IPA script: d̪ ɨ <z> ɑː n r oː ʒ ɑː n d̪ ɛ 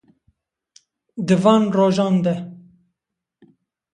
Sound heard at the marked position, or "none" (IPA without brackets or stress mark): v